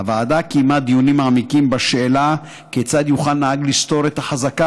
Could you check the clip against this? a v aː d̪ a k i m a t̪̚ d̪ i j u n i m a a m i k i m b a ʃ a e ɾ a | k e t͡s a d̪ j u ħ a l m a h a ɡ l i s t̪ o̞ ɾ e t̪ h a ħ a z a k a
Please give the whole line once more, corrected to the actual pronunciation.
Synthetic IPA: a v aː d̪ a k i m a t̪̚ d̪ i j u n i m a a m i k i m b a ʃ e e l a | k e t͡s a d̪ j u χ a l n a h a ɡ l i s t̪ o̞ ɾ e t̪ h a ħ a z a k a